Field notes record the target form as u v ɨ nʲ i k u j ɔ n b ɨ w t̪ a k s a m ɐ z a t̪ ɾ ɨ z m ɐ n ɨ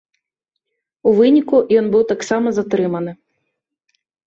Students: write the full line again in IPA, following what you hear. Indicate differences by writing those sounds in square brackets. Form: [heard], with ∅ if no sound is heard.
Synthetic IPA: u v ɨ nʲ i k u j ɔ n b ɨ w t̪ a k s a m ɐ z a t̪ ɾ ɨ [∅] m ɐ n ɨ